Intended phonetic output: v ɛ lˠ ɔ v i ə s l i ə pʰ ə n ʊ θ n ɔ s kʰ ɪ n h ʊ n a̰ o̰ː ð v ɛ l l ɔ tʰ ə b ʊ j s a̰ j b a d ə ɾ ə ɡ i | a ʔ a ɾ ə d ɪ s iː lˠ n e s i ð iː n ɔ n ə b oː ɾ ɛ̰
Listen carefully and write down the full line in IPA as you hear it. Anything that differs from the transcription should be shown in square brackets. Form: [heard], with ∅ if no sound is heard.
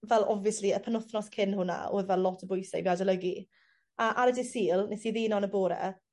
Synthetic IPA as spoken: v ɛ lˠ ɔ v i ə s l i ə pʰ ə n ʊ θ n ɔ s kʰ ɪ n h ʊ n a̰ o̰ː ð v ɛ l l ɔ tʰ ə b ʊ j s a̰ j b a d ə [l] ə ɡ i | a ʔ a ɾ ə d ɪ s iː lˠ n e s i ð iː n ɔ n ə b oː ɾ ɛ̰